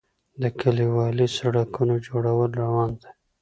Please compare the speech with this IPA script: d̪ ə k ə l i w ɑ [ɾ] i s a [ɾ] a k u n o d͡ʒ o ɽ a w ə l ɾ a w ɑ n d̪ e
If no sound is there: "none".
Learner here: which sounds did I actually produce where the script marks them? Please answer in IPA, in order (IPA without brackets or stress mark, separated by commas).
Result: l, ɽ